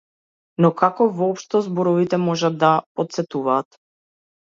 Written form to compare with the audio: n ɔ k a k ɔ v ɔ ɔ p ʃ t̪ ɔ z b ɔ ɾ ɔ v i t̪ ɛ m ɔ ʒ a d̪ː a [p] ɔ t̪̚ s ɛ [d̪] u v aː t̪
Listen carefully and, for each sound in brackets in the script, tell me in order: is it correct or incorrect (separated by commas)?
correct, incorrect